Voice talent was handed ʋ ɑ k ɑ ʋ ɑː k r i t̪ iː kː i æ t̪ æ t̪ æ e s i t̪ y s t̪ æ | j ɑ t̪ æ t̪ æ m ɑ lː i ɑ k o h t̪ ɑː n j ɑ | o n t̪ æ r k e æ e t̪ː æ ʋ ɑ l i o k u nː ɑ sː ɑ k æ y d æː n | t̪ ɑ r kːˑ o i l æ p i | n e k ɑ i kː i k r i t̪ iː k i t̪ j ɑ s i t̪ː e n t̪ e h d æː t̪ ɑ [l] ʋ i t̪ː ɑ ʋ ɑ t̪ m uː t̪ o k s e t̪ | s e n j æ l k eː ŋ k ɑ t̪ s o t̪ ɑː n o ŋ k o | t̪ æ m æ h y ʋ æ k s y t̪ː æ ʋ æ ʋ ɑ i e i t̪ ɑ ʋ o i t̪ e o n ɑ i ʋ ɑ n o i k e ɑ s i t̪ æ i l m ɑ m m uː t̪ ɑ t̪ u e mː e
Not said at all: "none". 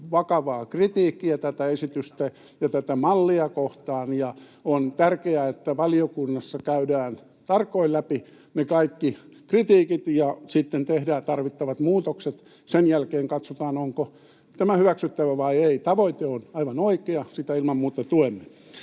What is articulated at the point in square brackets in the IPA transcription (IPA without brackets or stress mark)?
r